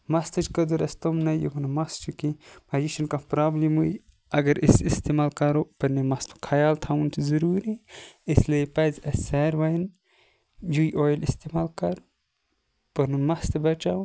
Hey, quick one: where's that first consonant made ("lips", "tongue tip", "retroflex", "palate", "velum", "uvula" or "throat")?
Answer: lips